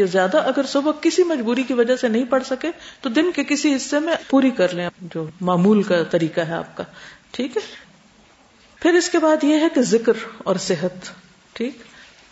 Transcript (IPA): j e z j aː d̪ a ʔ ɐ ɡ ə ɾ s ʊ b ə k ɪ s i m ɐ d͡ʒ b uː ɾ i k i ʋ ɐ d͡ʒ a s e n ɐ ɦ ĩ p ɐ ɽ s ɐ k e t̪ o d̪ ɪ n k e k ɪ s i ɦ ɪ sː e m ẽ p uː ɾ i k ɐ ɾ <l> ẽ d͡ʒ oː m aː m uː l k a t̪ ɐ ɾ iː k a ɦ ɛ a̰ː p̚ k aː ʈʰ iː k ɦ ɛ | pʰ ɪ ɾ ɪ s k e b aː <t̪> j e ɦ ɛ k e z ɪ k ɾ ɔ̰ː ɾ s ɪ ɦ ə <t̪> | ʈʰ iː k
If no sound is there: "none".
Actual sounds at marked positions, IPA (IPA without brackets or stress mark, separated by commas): l, d̪, t̪